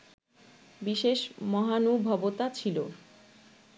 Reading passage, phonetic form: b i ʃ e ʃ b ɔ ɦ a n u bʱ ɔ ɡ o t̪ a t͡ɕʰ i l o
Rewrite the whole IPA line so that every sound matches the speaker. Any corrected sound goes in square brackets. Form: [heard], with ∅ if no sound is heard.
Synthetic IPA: b i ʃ e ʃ [m] ɔ ɦ a n u bʱ ɔ [b] o t̪ a t͡ɕʰ i l o